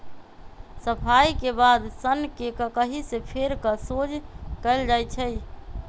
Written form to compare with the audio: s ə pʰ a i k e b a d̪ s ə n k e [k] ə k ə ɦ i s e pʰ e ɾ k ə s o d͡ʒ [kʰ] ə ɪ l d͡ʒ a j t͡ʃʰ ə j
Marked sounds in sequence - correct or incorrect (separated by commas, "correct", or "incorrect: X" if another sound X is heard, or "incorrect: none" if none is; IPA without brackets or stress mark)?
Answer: correct, incorrect: k